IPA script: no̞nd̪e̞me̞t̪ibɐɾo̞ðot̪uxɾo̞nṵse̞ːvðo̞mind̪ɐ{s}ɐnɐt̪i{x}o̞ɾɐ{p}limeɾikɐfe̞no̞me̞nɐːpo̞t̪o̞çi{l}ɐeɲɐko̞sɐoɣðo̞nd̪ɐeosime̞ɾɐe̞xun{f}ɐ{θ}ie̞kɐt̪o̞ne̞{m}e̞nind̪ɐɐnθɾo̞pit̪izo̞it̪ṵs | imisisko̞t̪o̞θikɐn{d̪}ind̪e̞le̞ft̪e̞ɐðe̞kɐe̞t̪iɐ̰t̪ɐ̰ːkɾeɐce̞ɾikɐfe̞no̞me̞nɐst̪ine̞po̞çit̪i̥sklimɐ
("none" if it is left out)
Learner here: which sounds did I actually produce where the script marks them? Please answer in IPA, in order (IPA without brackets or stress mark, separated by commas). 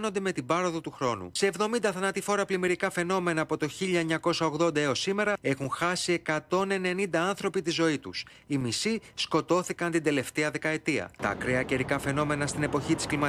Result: θ, f, p, ʎ, x, s, n, t̪